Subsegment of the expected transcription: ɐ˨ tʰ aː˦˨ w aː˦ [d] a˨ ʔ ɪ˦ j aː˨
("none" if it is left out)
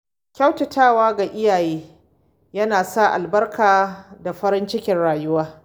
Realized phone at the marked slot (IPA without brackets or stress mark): ɡ